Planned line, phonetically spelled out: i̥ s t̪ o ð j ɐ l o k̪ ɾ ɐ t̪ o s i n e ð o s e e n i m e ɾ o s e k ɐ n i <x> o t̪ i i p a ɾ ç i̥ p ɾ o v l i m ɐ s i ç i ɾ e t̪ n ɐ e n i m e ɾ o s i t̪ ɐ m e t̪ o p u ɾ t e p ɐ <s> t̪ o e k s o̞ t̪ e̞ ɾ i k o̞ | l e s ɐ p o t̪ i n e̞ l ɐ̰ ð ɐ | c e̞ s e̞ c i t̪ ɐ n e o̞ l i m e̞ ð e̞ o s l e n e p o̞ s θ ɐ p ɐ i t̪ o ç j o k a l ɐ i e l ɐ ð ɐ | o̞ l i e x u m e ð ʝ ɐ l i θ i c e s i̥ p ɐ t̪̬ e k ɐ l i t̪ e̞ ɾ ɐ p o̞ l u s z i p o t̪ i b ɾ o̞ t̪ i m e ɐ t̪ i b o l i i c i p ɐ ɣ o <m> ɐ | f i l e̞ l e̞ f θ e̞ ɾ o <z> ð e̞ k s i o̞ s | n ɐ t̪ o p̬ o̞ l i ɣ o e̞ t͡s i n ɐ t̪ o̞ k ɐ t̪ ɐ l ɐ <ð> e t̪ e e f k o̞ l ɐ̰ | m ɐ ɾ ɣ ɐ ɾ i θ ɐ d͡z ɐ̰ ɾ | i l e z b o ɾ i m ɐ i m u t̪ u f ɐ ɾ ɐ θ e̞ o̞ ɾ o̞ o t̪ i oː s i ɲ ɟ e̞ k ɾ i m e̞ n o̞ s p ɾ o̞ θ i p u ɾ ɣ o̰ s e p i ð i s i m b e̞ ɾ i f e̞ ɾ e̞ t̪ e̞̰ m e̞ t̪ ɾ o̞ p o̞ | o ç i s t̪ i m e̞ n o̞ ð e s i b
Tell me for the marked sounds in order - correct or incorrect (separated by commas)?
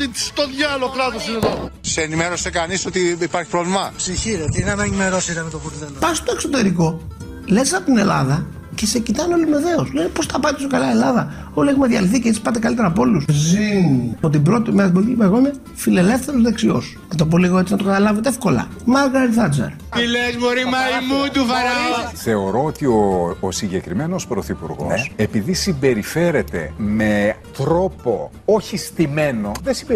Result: incorrect, correct, correct, correct, incorrect